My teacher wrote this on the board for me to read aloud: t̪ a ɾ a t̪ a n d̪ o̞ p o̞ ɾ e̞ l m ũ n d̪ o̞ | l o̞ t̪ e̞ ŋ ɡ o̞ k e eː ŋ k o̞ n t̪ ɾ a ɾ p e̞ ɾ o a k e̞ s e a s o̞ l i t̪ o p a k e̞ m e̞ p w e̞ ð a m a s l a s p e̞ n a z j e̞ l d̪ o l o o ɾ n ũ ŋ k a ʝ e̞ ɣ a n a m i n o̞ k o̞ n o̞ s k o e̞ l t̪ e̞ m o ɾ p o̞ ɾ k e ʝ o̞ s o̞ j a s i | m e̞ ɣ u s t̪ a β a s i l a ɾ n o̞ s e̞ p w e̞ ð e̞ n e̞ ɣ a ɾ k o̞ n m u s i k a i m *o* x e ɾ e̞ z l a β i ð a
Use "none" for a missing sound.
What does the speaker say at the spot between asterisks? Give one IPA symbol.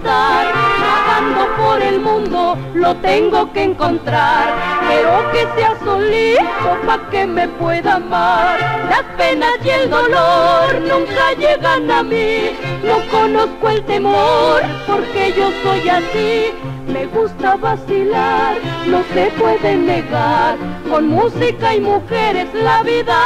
u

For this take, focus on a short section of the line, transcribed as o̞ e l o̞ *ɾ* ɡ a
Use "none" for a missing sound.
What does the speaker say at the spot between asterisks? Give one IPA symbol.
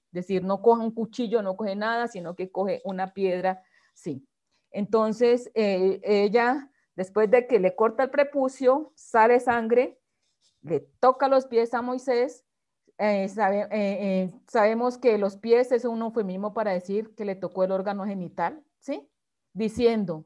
ɾ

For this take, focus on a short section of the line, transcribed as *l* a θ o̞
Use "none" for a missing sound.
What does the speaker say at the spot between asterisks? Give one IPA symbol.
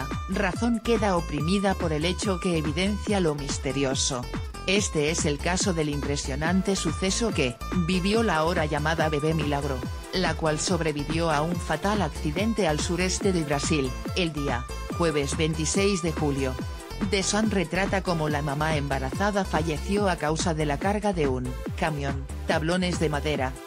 r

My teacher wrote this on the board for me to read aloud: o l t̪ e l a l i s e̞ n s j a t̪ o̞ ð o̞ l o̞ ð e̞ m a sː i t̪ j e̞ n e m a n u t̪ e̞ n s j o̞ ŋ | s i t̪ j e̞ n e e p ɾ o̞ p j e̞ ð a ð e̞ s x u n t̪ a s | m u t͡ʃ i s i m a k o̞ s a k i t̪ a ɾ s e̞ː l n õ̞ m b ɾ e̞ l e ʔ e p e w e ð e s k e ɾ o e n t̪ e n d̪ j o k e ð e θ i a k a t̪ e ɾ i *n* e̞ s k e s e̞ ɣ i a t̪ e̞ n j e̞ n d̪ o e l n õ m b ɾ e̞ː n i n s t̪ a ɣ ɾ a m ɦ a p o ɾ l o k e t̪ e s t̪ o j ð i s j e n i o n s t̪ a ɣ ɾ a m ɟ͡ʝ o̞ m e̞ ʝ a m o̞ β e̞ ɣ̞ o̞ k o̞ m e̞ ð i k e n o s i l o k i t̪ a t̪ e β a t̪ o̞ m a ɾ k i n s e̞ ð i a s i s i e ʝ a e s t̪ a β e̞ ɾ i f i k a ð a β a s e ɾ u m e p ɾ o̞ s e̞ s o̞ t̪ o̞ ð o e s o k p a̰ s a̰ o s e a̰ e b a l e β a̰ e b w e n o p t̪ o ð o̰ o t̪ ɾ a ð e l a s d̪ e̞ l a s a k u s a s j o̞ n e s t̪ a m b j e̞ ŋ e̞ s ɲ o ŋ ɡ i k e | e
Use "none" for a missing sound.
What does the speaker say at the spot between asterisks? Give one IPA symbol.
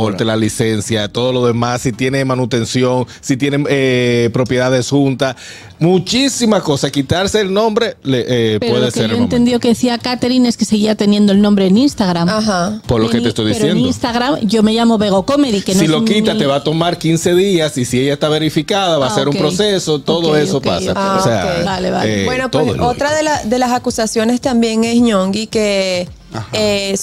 n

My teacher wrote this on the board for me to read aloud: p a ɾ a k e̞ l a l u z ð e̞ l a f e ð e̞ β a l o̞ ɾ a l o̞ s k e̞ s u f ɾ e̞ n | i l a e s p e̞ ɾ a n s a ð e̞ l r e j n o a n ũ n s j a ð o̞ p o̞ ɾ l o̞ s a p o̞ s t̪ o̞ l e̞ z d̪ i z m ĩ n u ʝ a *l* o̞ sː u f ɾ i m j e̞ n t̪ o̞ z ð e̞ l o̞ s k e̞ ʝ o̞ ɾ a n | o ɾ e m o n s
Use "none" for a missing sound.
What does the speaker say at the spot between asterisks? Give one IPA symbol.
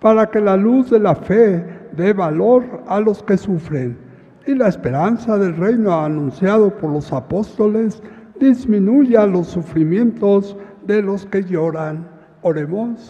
l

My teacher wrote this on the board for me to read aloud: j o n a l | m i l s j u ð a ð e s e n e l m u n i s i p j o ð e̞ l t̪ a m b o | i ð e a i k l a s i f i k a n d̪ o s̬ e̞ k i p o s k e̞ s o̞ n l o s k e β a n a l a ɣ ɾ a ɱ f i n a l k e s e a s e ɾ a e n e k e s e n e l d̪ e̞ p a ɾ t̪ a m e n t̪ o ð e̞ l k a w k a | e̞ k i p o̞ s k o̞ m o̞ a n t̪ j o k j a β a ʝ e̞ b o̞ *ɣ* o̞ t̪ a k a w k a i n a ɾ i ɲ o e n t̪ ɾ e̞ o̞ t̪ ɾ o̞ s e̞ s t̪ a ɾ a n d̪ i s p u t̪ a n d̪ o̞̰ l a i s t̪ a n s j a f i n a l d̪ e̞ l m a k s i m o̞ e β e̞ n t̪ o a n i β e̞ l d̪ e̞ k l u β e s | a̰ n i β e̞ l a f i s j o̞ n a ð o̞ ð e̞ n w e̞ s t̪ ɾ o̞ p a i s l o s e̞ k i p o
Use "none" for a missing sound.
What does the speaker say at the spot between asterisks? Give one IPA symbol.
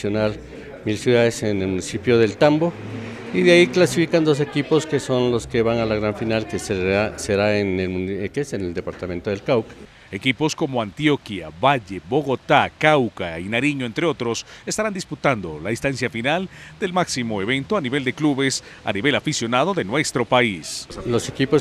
ɣ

